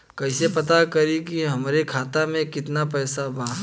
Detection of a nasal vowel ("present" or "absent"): present